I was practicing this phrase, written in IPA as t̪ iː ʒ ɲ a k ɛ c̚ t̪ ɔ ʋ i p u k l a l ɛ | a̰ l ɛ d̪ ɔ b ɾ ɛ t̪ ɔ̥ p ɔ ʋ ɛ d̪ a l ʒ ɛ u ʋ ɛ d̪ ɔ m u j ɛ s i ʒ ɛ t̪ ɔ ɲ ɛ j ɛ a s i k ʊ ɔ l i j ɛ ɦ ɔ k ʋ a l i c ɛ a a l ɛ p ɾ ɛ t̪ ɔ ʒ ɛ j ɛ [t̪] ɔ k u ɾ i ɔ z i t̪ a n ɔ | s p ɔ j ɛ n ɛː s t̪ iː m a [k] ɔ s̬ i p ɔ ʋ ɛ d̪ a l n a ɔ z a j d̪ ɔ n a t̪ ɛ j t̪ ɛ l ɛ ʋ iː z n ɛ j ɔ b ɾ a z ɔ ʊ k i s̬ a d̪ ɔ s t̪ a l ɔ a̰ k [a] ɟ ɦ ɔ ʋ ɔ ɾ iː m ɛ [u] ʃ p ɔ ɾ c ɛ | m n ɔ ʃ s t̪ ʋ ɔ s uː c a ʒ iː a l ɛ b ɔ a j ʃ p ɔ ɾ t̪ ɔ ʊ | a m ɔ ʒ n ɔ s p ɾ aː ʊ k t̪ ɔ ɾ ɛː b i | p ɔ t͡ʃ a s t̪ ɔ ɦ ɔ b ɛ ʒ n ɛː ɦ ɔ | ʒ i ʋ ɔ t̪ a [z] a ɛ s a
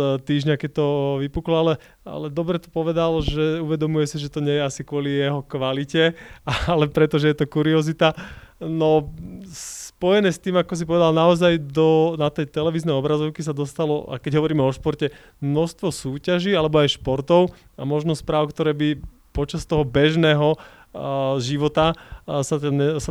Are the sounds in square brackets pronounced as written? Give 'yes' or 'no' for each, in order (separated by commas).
yes, yes, no, no, no